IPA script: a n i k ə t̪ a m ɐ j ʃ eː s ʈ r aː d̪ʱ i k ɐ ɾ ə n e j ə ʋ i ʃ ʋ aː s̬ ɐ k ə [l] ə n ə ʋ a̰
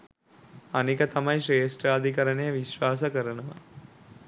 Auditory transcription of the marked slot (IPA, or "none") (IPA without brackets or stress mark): ɾ